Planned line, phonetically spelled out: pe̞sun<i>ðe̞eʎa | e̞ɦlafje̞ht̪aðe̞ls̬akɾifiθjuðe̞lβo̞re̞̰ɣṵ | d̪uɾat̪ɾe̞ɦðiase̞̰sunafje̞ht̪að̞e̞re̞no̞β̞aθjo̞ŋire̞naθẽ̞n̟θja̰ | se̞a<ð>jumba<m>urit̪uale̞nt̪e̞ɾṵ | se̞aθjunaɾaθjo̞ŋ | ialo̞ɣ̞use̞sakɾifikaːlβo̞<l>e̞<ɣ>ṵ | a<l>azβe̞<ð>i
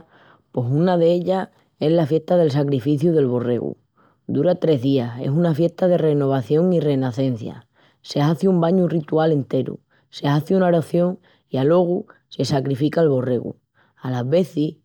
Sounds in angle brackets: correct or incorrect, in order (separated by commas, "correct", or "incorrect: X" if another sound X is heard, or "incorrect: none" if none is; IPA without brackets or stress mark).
incorrect: a, incorrect: θ, incorrect: ɲ, incorrect: r, correct, correct, incorrect: θ